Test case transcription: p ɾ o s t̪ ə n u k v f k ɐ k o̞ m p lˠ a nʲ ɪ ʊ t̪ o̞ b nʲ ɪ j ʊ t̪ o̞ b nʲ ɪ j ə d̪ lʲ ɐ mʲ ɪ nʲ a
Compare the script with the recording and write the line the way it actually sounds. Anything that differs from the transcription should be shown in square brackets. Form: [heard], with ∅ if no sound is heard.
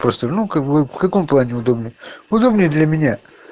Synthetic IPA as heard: p ɾ o s t̪ ə n u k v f k ɐ k o̞ m p lˠ a nʲ ɪ ʊ [d̪] o̞ b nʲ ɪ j ʊ [d̪] o̞ b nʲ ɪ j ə d̪ lʲ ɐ mʲ ɪ nʲ a

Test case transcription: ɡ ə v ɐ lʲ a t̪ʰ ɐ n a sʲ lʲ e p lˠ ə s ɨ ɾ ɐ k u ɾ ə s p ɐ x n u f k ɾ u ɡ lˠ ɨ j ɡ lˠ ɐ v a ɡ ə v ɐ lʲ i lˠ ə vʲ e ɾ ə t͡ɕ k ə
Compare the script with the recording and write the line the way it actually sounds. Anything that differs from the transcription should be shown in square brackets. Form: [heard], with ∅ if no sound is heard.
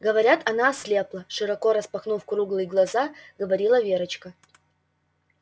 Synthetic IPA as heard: ɡ ə v ɐ [ɾʲ] a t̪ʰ ɐ n a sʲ lʲ e p lˠ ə [ʂ] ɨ ɾ ɐ k [o] ɾ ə s p ɐ x n u f k ɾ u ɡ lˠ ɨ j ɡ lˠ ɐ [z] a ɡ ə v ɐ [ɾʲ] i lˠ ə vʲ e ɾ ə t͡ɕ k ə

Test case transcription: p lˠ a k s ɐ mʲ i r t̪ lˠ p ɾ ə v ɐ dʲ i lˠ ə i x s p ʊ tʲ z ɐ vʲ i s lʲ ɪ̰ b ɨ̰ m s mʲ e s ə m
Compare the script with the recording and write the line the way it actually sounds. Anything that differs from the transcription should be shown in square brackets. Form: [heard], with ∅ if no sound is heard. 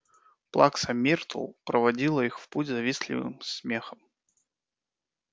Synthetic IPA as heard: p lˠ a k s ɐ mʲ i r t̪ lˠ p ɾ ə v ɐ dʲ i lˠ ə i x [f] p [u] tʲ z ɐ vʲ i s lʲ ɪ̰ [v] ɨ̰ m s mʲ e [x] ə m

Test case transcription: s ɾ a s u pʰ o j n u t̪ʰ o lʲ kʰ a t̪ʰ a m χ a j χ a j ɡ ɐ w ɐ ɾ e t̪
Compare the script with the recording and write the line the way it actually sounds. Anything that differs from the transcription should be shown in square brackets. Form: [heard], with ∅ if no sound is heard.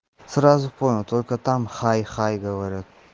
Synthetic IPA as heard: s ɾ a [z] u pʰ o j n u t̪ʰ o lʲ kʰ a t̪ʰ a m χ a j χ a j ɡ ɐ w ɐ ɾ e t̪

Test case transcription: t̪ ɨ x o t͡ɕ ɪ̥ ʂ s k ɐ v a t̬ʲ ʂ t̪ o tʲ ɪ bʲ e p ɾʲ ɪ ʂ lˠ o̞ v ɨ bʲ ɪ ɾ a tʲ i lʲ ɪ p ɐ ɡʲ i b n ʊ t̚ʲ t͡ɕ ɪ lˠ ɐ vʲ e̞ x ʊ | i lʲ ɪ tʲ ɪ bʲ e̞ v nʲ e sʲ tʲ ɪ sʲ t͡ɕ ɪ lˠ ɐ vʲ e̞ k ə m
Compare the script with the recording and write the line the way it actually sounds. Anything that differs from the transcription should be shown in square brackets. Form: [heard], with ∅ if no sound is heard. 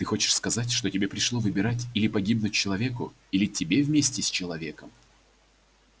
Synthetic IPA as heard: t̪ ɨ x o t͡ɕ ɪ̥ ʂ s k ɐ [z] a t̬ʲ ʂ t̪ o tʲ ɪ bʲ e p ɾʲ ɪ ʂ lˠ o̞ v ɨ bʲ ɪ ɾ a tʲ i lʲ ɪ p ɐ ɡʲ i b n ʊ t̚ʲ t͡ɕ ɪ lˠ ɐ vʲ e̞ [k] ʊ | i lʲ ɪ tʲ ɪ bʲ e̞ v [mʲ] e sʲ tʲ ɪ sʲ t͡ɕ ɪ lˠ ɐ vʲ e̞ k ə m

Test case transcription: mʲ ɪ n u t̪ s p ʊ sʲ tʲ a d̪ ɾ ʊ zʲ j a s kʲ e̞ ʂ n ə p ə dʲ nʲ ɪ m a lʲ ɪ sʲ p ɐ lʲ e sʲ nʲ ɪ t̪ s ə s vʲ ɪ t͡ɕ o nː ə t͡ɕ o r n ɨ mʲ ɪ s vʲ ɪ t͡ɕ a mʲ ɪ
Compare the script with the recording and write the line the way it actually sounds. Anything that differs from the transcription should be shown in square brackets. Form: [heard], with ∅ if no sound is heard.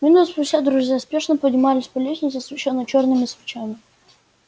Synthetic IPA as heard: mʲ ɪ n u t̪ s p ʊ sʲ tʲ a d̪ ɾ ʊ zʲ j a s [pʲ] e̞ ʂ n ə p ə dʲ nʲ ɪ m a lʲ ɪ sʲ p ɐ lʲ e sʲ nʲ ɪ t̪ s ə s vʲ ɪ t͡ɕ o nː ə t͡ɕ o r n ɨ mʲ ɪ s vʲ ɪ t͡ɕ a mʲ ɪ

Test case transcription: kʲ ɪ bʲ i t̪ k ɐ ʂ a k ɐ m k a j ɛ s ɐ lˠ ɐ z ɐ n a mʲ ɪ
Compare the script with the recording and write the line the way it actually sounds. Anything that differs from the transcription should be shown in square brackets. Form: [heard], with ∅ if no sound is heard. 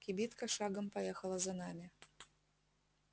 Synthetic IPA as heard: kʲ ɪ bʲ i t̪ k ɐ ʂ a [ɡ] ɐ m [p] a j ɛ [x] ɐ lˠ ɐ z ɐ n a mʲ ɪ

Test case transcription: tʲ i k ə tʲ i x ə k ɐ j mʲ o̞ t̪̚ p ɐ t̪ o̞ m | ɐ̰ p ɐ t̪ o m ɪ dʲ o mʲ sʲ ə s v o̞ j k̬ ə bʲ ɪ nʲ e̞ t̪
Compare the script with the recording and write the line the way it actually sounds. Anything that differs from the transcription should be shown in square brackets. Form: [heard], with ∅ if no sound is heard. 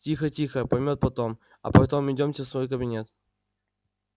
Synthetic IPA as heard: tʲ i [x] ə tʲ i x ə [p] ɐ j mʲ o̞ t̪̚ p ɐ t̪ o̞ m | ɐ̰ p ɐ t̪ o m ɪ dʲ o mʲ sʲ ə s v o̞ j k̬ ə bʲ ɪ nʲ e̞ t̪

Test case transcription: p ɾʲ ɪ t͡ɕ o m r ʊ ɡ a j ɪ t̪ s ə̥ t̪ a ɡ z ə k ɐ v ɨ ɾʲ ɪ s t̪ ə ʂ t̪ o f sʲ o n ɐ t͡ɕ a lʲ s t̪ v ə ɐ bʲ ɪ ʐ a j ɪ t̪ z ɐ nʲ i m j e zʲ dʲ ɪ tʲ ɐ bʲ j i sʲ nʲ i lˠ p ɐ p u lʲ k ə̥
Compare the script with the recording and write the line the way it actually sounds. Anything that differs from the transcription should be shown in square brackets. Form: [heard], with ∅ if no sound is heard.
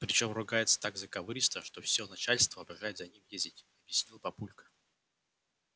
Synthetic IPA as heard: p ɾʲ ɪ t͡ɕ o m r ʊ ɡ a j ɪ t̪ s ə̥ t̪ a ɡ z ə k ɐ v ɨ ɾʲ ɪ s t̪ ə ʂ t̪ o f sʲ o n ɐ t͡ɕ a lʲ s t̪ v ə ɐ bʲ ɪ ʐ a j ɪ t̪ z ɐ nʲ i m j e zʲ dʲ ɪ tʲ ɐ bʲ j [ɪ] sʲ nʲ i lˠ p ɐ p u lʲ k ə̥

